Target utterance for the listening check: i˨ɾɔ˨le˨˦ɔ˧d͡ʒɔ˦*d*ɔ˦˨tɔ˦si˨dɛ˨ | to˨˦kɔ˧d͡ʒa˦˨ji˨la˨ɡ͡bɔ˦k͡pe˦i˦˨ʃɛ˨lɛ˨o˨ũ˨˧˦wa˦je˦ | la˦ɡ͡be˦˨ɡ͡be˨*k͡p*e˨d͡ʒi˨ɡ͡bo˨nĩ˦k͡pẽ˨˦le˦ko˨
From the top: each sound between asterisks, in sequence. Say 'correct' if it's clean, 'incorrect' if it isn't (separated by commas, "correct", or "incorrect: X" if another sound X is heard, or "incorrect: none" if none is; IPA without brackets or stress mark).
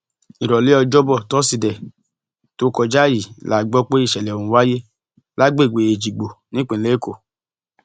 incorrect: b, incorrect: none